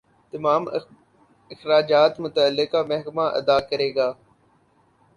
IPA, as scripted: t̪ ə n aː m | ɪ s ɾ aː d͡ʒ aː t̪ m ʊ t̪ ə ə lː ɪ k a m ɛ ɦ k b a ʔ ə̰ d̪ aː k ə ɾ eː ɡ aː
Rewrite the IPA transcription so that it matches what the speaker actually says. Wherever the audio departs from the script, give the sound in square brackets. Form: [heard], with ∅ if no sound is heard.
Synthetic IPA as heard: t̪ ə [m] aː m | ɪ [x] ɾ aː d͡ʒ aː t̪ m ʊ t̪ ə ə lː ɪ k a m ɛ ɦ k [m] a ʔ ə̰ d̪ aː k ə ɾ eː ɡ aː